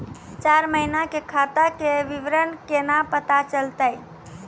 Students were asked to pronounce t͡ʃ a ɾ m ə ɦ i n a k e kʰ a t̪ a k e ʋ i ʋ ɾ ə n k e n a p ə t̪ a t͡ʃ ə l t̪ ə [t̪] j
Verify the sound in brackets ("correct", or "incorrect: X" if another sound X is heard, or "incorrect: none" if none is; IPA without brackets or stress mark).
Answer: incorrect: none